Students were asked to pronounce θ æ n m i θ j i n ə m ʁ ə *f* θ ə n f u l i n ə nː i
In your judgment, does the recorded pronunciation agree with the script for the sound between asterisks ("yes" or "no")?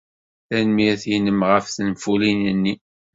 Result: yes